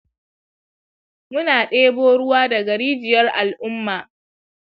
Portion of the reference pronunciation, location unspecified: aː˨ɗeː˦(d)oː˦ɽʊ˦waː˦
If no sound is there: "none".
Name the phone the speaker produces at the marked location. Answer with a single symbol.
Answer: b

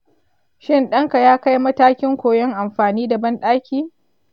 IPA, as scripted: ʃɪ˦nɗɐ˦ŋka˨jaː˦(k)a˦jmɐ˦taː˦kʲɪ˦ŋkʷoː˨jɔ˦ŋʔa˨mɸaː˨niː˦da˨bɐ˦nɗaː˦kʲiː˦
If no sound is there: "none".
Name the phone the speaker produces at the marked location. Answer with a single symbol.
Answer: k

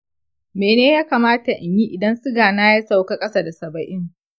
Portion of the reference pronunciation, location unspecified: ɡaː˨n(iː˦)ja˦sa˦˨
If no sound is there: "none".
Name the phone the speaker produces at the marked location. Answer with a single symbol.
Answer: aː˦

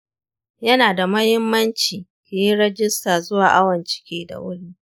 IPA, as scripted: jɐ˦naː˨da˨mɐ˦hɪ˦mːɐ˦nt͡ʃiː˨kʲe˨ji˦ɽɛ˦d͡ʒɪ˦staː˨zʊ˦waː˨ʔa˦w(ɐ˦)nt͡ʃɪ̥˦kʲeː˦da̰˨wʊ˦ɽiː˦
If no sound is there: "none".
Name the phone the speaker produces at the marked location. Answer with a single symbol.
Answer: ɐ˨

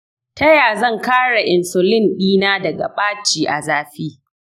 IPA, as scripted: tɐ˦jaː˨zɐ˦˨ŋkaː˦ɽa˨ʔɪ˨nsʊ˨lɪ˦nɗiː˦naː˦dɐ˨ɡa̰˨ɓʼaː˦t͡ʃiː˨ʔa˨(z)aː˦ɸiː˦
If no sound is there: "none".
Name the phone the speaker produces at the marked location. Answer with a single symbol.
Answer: z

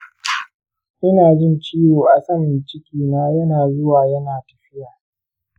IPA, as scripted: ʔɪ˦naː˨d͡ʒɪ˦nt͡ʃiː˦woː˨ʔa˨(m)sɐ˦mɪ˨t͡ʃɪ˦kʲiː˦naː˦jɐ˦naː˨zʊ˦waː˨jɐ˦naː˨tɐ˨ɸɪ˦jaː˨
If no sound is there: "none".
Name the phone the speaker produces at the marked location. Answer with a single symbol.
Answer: none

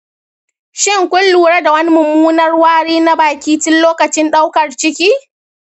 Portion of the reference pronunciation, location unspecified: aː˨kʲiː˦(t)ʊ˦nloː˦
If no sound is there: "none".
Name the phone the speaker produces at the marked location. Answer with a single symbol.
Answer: t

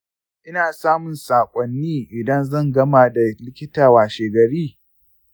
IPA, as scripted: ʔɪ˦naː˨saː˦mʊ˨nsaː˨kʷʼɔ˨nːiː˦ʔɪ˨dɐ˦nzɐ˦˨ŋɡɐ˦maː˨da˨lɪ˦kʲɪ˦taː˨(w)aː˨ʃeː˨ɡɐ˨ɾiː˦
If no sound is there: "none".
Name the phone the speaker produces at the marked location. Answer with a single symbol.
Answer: w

